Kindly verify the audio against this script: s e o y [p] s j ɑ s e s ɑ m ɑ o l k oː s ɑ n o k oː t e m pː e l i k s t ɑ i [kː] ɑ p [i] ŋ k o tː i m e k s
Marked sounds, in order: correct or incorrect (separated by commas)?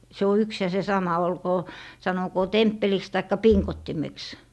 incorrect, correct, correct